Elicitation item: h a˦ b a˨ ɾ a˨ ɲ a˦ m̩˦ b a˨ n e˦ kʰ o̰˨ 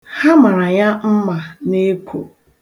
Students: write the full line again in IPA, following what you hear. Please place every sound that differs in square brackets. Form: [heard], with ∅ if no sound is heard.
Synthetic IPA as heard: h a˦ [m] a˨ ɾ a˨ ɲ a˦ m̩˦ [m] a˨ n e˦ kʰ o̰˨